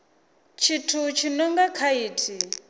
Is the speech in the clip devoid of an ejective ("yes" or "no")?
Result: yes